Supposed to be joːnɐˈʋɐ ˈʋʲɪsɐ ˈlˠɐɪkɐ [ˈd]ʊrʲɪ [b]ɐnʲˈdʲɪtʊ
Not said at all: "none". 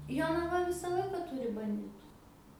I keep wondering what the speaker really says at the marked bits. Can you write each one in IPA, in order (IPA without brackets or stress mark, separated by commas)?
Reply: t, b